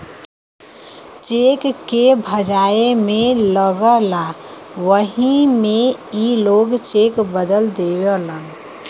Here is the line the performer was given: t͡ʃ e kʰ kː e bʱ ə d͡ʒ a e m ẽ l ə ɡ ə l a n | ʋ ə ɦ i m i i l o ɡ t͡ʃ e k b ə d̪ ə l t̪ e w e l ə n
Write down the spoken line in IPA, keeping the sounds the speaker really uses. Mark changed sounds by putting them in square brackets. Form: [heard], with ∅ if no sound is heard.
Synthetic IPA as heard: t͡ʃ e [k] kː e bʱ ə d͡ʒ a e m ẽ l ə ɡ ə l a [∅] | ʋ ə ɦ i m [e] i l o ɡ t͡ʃ e k b ə d̪ ə l [d̪] e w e l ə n